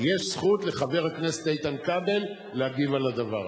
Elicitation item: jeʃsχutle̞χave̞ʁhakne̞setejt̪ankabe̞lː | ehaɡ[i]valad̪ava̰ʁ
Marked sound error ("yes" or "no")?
no